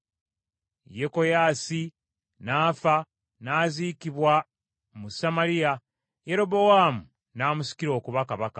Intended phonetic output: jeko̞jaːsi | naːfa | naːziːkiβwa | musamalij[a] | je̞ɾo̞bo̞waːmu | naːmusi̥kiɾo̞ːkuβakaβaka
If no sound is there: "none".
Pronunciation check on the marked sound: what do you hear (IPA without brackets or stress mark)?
a